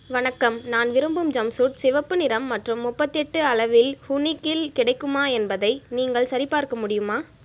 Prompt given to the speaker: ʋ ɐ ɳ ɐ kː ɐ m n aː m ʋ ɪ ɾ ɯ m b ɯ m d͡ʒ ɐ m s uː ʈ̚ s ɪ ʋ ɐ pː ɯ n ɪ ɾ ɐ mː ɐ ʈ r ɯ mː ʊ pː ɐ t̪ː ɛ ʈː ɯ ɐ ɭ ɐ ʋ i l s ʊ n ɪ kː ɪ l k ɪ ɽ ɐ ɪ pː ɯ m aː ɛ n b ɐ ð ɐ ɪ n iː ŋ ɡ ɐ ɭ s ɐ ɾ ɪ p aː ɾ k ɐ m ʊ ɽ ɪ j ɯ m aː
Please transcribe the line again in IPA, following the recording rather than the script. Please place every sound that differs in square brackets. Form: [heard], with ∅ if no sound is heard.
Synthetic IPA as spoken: ʋ ɐ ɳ ɐ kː ɐ m n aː [n] ʋ ɪ ɾ ɯ m b ɯ m d͡ʒ ɐ m s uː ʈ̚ s ɪ ʋ ɐ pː ɯ n ɪ ɾ ɐ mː ɐ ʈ r ɯ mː ʊ pː ɐ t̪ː ɛ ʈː ɯ ɐ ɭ ɐ ʋ [ɪ] l [h] ʊ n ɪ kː ɪ l k ɪ ɽ ɐ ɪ [kː] ɯ m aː ɛ n b ɐ ð ɐ ɪ n iː ŋ ɡ ɐ ɭ s ɐ ɾ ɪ p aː ɾ k ɐ m ʊ ɽ ɪ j ɯ m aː